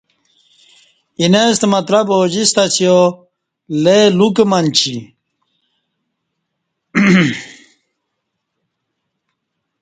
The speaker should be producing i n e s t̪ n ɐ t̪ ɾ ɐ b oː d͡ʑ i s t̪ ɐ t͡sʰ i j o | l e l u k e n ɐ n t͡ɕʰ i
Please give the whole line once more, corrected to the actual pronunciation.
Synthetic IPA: i n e s t̪ m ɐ t̪ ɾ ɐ b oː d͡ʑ i s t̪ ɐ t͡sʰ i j o | l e l u k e m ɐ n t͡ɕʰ i